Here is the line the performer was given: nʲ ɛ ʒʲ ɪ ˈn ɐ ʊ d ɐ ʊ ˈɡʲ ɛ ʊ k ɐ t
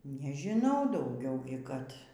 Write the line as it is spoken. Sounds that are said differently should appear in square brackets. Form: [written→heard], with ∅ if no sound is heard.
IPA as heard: nʲ ɛ ʒʲ ɪ ˈn ɐ ʊ d ɐ ʊ ˈɡʲ ɛ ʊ k ɐ t